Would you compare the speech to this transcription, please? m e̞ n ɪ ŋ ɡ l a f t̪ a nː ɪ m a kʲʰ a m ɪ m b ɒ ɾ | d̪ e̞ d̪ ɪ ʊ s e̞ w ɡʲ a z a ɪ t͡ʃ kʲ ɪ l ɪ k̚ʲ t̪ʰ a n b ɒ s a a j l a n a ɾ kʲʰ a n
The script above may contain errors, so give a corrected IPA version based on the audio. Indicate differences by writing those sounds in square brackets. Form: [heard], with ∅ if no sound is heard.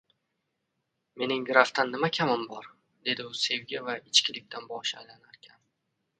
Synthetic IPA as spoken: m e̞ n ɪ ŋ ɡ [ɾ] a f t̪ a nː ɪ m a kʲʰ a m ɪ m b ɒ ɾ | d̪ e̞ d̪ ɪ ʊ s e̞ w ɡʲ a [v] a ɪ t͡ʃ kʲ ɪ l ɪ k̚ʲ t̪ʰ a n b ɒ [ʃ] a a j l a n a ɾ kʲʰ a n